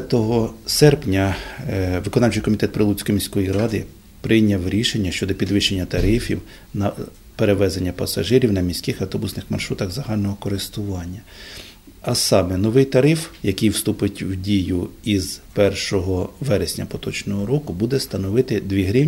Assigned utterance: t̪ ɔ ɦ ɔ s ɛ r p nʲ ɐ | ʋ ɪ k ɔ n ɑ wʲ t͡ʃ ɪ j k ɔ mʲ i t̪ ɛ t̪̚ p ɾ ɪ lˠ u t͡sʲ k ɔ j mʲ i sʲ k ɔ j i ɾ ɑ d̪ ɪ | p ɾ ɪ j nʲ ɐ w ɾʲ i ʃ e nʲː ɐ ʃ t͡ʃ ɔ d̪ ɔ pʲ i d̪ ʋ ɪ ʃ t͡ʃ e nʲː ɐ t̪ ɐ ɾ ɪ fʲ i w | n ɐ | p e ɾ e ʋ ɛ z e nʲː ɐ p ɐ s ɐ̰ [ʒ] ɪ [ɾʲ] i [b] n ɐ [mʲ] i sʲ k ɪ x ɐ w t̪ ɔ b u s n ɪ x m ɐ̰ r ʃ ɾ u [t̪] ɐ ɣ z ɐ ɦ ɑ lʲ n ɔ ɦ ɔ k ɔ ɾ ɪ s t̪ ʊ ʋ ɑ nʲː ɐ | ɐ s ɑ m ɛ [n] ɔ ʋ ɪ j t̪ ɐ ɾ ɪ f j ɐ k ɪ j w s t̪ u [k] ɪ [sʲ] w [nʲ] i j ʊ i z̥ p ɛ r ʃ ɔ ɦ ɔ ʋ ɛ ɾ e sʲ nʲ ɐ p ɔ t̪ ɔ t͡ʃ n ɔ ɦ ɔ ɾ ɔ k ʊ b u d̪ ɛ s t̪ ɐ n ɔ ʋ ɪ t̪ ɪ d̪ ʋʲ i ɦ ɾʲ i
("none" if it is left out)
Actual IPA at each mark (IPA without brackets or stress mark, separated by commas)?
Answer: ʒ, ɾʲ, w, mʲ, t̪, n, p, tʲ, dʲ